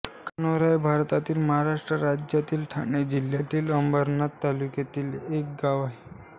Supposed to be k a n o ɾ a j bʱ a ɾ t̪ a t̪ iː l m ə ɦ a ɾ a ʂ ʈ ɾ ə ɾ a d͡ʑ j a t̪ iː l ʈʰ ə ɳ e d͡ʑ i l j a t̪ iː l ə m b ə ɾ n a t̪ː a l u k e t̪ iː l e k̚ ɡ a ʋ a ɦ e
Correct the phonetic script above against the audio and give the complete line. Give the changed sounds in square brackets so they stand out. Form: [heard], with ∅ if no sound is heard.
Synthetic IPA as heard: k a n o ɾ a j bʱ a ɾ t̪ a t̪ iː l m ə ɦ a ɾ a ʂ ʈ ɾ ə ɾ a d͡ʑ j a t̪ iː l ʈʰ [a] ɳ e d͡ʑ i l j a t̪ iː l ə m b ə ɾ n a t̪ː a l u k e t̪ iː l e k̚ ɡ a ʋ a ɦ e